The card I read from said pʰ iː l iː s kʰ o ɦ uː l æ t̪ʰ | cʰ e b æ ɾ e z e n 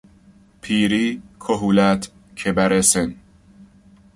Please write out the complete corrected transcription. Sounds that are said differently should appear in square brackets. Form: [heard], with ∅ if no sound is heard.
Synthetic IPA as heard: pʰ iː [ɾ] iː [∅] kʰ o ɦ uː l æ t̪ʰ | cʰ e b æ ɾ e [s] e n